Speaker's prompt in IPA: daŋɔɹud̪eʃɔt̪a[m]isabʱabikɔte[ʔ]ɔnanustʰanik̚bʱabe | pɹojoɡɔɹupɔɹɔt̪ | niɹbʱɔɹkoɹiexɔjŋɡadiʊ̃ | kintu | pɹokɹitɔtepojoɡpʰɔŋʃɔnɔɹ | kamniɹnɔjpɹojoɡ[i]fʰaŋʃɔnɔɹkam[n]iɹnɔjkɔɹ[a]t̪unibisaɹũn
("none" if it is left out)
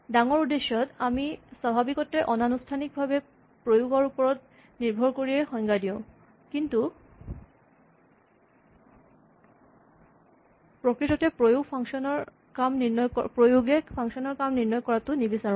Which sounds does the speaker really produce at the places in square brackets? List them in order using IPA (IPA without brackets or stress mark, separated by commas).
m, ʔ, e, n, a